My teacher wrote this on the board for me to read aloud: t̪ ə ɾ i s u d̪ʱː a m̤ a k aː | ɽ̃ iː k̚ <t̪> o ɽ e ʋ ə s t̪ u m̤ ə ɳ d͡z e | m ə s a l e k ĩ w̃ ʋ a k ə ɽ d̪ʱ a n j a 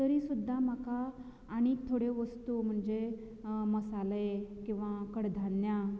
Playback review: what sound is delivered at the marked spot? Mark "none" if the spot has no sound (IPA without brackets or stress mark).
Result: t̪ʰ